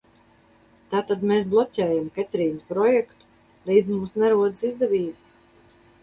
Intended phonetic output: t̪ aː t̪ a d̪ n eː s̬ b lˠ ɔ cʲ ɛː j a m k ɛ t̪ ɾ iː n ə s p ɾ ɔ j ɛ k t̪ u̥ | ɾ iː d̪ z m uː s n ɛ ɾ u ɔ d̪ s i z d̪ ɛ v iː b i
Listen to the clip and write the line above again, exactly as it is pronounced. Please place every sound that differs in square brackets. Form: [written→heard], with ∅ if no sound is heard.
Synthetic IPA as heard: t̪ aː t̪ a d̪ [n→m] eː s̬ b lˠ ɔ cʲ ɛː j a m k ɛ t̪ ɾ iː n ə s p ɾ ɔ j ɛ k t̪ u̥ | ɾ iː d̪ z m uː s n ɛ ɾ u ɔ d̪ s i z d̪ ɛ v iː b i